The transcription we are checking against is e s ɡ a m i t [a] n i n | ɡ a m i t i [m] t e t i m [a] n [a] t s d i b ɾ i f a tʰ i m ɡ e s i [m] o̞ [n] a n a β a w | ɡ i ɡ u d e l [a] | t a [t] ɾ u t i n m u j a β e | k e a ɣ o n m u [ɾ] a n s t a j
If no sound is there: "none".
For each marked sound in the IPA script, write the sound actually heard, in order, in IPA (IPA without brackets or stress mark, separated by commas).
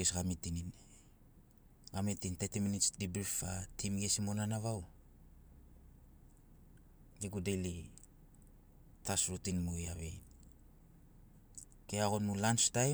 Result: i, n, i, i, m, n, i, s, l